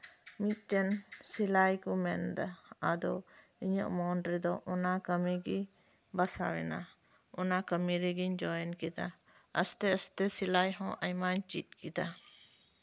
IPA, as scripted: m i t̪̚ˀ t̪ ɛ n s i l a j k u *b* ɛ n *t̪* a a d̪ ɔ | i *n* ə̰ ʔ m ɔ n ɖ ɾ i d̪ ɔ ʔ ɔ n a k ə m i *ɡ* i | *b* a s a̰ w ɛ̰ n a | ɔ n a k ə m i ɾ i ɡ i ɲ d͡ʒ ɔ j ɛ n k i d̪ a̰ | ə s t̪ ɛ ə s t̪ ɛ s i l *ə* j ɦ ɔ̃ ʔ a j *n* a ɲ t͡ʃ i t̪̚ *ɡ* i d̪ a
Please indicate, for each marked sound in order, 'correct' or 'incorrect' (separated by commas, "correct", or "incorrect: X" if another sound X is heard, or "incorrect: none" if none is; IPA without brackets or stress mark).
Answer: incorrect: m, incorrect: d̪, incorrect: ɲ, correct, correct, incorrect: a, incorrect: m, incorrect: k